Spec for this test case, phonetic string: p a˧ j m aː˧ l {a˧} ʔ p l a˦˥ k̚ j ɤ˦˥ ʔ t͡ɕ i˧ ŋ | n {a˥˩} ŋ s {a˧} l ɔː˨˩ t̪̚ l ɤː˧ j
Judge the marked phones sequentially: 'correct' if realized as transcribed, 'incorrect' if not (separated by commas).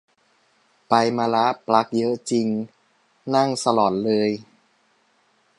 incorrect, correct, correct